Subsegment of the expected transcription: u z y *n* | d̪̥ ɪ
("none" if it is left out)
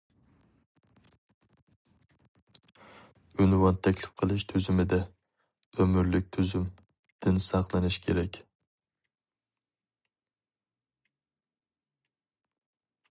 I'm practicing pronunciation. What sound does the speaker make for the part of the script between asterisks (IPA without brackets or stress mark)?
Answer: m